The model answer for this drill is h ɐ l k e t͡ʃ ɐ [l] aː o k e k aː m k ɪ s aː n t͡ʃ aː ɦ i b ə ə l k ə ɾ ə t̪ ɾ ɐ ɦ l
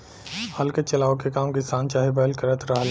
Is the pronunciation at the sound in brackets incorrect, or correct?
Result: correct